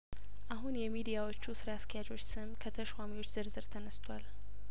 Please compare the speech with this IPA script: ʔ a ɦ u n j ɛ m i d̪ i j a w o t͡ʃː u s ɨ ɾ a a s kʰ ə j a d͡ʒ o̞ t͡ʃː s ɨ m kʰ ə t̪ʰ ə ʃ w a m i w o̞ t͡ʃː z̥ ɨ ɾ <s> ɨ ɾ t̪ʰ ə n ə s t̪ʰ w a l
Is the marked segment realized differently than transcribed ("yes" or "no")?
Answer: yes